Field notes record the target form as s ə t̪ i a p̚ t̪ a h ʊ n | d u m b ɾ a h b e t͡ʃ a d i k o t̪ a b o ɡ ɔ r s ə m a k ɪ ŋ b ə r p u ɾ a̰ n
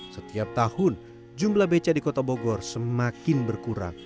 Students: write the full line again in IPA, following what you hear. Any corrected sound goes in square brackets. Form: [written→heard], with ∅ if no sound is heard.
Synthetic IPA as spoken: s ə t̪ i a p̚ t̪ a h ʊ n | [d→d͡ʒ] u m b [ɾ→l] a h b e t͡ʃ a d i k o t̪ a b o ɡ ɔ r s ə m a k ɪ [ŋ→n] b ə r [p→k] u ɾ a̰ [n→ŋ]